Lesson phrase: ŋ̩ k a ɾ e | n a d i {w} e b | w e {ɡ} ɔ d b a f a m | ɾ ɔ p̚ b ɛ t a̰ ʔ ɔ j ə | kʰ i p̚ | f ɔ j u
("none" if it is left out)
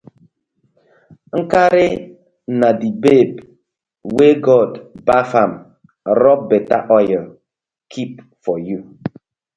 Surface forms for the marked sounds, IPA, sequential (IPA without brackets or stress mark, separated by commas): b, ɡ